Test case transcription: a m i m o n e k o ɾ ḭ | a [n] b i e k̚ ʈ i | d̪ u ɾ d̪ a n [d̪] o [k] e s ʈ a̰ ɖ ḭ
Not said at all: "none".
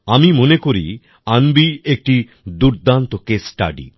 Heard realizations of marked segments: n, t̪, k

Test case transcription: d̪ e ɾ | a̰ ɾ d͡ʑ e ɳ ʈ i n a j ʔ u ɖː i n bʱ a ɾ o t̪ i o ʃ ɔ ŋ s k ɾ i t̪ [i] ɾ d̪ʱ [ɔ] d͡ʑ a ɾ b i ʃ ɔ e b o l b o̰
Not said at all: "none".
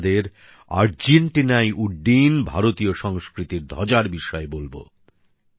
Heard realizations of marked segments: i, ɔ

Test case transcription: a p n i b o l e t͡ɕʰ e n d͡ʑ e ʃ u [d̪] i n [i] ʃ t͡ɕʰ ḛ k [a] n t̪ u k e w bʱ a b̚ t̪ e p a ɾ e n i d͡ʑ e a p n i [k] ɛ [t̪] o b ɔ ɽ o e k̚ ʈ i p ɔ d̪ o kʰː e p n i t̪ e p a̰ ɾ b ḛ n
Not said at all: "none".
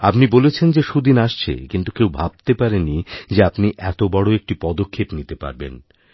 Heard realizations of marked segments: d̪, a, i, ʔ, t̪

